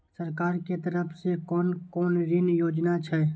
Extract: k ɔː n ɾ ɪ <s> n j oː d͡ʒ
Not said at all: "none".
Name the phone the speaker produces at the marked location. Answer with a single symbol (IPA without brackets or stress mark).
none